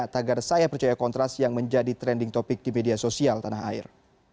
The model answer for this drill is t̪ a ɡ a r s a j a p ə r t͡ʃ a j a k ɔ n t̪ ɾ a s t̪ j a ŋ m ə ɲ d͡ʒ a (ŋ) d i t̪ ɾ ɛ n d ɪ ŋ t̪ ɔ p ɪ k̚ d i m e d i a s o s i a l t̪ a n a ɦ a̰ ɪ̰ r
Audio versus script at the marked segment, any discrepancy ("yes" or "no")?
yes